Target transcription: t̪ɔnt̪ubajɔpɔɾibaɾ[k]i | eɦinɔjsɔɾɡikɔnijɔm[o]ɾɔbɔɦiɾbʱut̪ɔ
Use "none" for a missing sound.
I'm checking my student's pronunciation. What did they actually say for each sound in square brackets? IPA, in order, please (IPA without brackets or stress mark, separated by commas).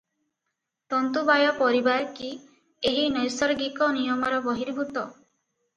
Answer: k, ɔ